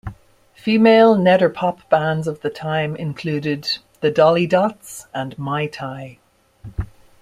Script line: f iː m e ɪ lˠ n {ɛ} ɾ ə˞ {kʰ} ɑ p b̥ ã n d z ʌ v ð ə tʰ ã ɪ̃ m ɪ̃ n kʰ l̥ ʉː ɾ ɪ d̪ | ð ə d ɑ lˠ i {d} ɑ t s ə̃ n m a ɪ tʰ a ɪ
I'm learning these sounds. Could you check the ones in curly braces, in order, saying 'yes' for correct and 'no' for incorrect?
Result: yes, no, yes

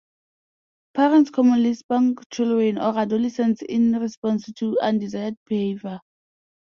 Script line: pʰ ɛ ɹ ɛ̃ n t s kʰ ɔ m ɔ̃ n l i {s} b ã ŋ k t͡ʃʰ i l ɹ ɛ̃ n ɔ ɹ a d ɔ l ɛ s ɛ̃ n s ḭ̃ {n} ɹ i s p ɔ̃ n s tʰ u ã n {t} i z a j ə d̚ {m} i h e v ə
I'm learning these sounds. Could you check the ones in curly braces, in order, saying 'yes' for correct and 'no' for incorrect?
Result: yes, yes, no, no

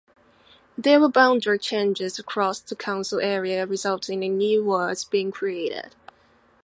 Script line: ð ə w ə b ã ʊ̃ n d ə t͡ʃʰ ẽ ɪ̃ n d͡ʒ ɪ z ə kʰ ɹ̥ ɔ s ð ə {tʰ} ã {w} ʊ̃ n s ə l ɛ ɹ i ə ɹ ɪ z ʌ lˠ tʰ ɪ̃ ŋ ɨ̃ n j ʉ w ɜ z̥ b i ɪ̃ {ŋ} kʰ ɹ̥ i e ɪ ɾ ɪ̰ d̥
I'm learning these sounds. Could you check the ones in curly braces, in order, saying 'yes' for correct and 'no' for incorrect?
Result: no, no, yes

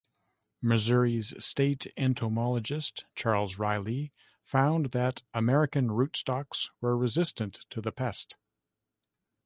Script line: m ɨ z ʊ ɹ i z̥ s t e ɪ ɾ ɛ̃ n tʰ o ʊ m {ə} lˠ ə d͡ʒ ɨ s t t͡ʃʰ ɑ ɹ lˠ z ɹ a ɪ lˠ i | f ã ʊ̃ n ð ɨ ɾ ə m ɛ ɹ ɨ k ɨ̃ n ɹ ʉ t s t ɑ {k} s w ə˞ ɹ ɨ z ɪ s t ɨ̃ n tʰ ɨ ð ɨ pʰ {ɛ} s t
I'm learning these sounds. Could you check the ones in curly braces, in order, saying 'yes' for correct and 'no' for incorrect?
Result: no, yes, yes

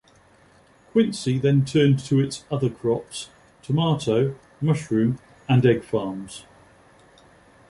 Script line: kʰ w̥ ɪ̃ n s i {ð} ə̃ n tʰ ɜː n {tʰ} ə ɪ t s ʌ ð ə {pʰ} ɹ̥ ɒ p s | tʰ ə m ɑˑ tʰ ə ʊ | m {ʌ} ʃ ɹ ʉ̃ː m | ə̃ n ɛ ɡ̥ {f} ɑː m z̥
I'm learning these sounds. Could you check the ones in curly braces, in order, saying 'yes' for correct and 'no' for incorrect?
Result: yes, yes, no, yes, yes

